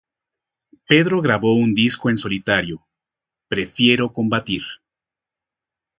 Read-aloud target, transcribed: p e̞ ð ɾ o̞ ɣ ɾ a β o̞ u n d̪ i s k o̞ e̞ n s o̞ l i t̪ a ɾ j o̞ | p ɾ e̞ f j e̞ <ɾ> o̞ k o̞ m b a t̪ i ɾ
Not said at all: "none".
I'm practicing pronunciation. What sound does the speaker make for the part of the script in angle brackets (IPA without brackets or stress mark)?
ɾ